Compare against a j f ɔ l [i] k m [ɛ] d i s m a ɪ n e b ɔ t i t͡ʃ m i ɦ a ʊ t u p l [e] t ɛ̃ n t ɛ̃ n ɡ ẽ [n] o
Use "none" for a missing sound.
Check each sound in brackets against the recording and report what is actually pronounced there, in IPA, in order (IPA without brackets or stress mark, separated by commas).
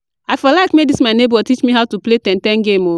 a, e, e, m